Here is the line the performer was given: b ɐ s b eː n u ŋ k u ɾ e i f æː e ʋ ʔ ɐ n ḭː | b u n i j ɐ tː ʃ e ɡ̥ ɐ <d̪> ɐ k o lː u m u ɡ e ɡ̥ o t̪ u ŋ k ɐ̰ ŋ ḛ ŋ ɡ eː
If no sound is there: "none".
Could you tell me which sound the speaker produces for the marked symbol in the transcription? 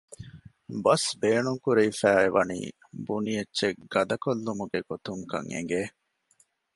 d̪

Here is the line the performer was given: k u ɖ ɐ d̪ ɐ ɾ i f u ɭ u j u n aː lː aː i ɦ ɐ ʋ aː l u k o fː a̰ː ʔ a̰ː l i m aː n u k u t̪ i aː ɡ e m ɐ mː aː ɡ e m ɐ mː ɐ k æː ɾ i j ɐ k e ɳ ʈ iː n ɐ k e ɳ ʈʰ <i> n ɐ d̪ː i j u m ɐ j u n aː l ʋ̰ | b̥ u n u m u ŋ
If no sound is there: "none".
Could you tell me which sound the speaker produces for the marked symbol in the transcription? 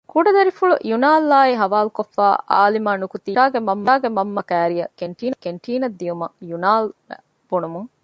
iː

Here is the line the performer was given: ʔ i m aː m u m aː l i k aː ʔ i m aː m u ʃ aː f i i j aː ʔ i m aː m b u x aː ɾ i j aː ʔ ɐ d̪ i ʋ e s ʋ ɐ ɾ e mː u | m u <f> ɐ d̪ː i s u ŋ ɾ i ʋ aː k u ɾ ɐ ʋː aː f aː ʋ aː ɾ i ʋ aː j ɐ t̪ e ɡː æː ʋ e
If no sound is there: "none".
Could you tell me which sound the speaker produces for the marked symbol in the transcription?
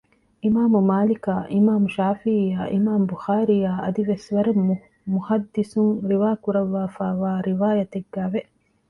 h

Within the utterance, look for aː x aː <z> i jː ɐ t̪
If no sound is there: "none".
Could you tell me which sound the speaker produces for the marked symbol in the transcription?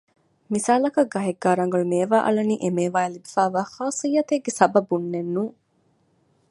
s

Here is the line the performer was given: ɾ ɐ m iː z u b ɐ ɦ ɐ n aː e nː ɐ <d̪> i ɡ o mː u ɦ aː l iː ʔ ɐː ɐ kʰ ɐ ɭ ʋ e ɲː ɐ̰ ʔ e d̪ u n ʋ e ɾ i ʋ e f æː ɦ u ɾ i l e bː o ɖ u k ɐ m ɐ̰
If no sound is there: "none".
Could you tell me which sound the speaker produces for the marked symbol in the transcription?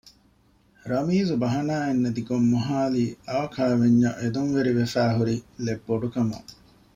d̪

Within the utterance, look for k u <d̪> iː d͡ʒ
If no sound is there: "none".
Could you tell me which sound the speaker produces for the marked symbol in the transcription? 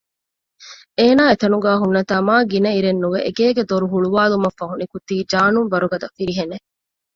t̪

